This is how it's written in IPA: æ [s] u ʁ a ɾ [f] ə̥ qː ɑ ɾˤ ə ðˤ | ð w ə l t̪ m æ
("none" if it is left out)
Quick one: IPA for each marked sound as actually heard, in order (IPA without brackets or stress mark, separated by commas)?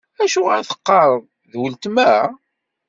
ʃ, θ